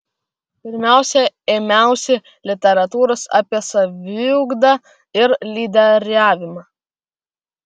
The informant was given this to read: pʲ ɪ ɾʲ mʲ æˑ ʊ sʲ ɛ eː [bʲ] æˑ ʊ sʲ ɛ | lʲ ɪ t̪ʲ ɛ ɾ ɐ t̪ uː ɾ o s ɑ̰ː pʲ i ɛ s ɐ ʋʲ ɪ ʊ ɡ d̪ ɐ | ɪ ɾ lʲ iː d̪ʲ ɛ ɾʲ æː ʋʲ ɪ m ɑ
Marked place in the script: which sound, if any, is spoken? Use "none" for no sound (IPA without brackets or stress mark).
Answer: mʲ